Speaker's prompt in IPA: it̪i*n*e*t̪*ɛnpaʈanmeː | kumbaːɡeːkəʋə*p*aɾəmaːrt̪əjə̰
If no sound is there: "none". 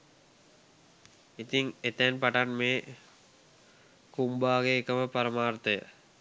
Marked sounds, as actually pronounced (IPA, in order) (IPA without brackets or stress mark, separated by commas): ŋ, t̪, p